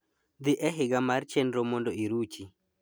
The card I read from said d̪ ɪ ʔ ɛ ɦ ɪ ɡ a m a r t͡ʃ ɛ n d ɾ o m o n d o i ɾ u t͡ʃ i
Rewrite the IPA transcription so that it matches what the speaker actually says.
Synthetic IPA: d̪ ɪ ʔ ɛ ɦ ɪ ɡ a m a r t͡ʃ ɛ n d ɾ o m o n d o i ɾ u t͡ʃ i